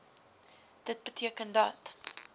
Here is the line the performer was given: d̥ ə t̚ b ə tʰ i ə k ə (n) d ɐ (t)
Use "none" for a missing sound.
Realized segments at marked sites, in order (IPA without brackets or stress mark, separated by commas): n, t